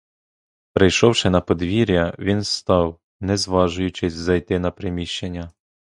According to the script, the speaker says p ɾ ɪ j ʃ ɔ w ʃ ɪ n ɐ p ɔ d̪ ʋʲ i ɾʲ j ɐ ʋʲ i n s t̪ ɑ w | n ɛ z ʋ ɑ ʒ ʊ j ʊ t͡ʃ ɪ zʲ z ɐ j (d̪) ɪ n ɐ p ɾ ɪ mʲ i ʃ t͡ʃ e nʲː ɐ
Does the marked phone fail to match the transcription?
yes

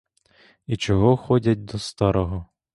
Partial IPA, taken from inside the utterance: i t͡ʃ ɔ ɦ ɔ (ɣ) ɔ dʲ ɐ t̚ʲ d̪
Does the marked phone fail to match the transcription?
yes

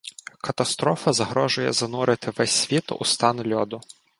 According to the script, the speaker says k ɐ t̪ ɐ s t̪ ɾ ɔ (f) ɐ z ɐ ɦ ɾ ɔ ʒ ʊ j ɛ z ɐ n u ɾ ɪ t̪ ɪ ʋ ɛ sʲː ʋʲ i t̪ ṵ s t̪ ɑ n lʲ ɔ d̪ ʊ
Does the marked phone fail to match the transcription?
no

